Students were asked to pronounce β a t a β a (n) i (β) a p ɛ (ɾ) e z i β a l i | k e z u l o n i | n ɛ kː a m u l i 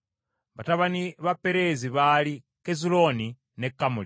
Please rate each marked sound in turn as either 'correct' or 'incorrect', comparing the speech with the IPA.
correct, correct, correct

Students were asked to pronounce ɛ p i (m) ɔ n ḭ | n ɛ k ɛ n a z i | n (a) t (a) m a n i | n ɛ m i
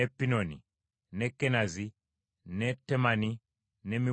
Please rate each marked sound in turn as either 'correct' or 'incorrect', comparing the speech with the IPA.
incorrect: n, incorrect: ɛ, incorrect: ɛ

